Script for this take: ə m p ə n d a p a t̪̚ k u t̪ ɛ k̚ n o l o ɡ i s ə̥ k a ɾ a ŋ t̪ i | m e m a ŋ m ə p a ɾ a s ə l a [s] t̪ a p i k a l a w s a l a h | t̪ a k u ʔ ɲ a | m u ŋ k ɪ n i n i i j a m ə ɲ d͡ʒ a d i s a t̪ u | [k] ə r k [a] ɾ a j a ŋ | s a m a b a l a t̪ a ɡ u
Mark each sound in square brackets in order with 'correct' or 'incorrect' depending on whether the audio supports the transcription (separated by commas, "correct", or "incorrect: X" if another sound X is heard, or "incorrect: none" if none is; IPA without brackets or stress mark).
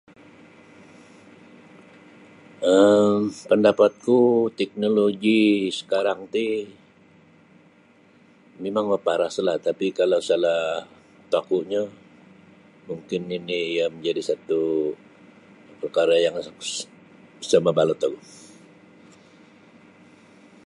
incorrect: h, incorrect: p, correct